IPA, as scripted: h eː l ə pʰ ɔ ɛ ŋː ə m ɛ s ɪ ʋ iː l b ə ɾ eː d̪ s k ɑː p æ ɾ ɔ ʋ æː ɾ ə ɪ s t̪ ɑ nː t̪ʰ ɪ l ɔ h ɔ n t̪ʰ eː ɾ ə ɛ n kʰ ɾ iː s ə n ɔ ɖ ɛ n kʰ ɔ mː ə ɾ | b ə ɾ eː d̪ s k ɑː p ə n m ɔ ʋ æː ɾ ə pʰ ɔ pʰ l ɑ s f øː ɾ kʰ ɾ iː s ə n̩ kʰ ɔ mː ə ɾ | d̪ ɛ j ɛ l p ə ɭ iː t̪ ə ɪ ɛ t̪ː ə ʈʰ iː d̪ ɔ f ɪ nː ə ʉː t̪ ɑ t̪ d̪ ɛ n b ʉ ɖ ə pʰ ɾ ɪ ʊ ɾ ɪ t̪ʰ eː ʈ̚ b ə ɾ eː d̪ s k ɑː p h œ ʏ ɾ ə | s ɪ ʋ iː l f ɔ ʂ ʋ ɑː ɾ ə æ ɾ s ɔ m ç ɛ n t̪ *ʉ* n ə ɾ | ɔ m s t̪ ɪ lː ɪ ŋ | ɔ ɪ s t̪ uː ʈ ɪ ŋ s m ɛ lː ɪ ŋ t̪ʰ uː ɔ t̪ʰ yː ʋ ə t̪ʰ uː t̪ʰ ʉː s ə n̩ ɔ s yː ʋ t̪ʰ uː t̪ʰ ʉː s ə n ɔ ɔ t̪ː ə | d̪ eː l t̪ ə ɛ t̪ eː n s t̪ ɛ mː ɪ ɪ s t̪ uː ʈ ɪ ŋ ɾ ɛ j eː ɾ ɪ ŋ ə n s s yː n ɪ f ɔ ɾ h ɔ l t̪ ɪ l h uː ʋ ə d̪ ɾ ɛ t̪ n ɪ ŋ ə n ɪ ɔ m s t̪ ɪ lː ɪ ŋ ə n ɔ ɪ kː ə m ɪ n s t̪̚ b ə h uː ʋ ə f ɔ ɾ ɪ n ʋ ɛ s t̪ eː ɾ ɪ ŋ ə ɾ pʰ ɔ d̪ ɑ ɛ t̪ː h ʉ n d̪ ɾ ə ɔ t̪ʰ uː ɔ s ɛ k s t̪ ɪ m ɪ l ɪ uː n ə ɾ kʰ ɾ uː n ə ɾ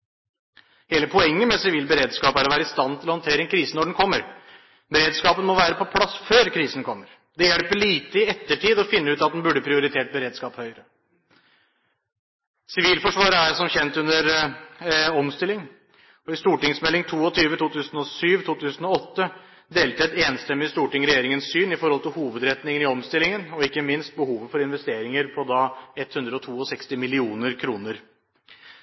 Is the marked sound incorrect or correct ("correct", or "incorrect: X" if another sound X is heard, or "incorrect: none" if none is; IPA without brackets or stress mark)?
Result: correct